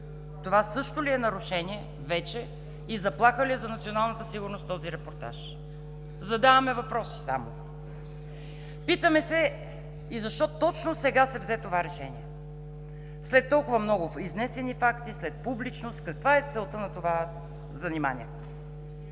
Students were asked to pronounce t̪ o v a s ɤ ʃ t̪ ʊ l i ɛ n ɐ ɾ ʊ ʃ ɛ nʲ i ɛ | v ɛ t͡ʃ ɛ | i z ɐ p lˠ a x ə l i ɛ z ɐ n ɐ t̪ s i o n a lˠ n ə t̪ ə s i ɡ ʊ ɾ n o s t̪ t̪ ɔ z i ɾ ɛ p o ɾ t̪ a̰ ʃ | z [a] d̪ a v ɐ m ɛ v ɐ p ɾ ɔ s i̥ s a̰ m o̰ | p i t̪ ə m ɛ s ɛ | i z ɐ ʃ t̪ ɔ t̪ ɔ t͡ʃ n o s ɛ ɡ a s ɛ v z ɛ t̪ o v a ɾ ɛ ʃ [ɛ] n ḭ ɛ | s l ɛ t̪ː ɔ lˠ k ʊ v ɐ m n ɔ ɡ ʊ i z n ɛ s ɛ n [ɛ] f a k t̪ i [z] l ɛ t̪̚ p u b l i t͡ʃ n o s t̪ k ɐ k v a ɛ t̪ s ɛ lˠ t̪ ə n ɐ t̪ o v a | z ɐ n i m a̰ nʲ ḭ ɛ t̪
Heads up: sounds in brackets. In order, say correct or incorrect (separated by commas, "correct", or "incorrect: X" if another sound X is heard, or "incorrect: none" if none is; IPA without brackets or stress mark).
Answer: incorrect: ɐ, correct, incorrect: i, incorrect: s